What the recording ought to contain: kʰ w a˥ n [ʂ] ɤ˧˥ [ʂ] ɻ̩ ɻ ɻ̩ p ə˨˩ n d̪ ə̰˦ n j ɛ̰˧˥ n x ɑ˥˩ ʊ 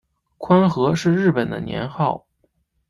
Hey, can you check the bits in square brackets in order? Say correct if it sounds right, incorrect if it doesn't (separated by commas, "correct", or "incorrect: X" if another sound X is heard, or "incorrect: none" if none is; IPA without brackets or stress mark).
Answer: incorrect: x, correct